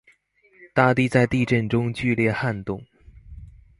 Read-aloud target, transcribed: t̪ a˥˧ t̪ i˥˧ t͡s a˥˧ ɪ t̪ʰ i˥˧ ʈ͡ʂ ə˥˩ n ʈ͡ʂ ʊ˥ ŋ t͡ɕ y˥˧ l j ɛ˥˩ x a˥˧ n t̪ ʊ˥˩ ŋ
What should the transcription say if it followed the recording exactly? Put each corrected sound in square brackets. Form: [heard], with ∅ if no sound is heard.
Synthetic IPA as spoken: t̪ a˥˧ t̪ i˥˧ t͡s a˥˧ ɪ [t̪] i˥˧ ʈ͡ʂ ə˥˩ n ʈ͡ʂ ʊ˥ ŋ t͡ɕ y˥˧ l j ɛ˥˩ x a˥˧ n t̪ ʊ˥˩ ŋ